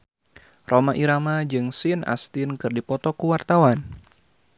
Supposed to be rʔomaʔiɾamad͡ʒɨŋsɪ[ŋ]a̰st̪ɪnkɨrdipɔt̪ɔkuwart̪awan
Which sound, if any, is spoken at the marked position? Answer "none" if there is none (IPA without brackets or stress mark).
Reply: n